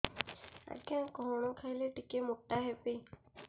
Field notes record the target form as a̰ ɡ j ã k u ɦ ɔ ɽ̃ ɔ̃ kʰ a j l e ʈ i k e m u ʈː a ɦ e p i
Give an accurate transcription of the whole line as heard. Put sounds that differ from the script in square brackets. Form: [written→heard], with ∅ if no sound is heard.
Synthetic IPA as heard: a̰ ɡ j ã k [u→ɔ] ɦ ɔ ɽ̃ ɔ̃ kʰ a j l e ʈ i k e m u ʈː a ɦ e p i

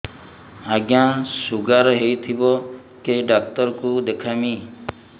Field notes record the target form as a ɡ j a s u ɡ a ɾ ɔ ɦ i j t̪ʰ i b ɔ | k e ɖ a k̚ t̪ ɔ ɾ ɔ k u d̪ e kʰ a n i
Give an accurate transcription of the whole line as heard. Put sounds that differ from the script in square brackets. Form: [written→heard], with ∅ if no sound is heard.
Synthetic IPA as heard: a ɡ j a s u ɡ a ɾ ɔ ɦ [i→e] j t̪ʰ i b ɔ | k e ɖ a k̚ t̪ ɔ ɾ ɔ k u d̪ e kʰ a [n→m] i

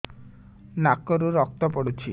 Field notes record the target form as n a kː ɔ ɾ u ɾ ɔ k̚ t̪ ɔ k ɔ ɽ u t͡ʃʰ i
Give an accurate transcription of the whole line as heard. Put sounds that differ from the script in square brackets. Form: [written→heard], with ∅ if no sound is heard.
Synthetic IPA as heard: n a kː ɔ ɾ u ɾ ɔ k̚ t̪ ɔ [k→p] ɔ ɽ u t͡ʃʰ i

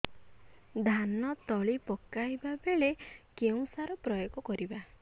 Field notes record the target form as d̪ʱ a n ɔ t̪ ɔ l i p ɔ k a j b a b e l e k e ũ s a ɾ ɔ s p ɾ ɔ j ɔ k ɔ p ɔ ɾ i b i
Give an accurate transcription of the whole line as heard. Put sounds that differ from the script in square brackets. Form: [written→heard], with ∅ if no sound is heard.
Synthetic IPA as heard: d̪ʱ a n ɔ t̪ ɔ [l→ɭ] i p ɔ k a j b a b e [l→ɭ] e k e ũ s a ɾ ɔ [s→∅] p ɾ ɔ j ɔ k ɔ [p→k] ɔ ɾ i b [i→a]

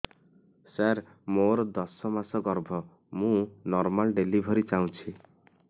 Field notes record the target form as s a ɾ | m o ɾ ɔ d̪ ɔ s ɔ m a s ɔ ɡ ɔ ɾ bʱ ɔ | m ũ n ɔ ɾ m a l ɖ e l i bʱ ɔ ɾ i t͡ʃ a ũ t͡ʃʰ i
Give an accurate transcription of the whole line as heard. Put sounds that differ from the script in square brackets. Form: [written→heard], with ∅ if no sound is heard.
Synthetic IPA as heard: s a ɾ | m o ɾ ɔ d̪ ɔ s ɔ m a s ɔ ɡ ɔ ɾ bʱ ɔ | m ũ n ɔ ɾ m a l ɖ e l i bʱ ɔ ɾ i t͡ʃ a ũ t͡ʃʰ i

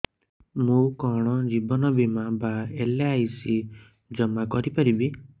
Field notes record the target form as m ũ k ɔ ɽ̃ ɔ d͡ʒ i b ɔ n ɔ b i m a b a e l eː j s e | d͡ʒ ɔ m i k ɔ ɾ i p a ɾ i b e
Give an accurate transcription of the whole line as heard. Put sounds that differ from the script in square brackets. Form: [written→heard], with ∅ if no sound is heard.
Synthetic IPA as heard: m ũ k ɔ ɽ̃ ɔ d͡ʒ i b ɔ n ɔ b i m a b a e l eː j s [e→i] | d͡ʒ ɔ m [i→a] k ɔ ɾ i p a ɾ i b [e→i]

